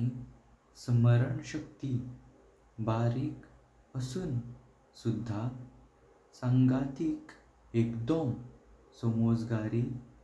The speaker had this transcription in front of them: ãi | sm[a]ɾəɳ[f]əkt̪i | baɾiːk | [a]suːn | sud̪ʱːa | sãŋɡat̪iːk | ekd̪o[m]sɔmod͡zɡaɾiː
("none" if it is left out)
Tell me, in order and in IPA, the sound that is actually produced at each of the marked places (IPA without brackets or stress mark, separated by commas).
ə, ɕ, ə, m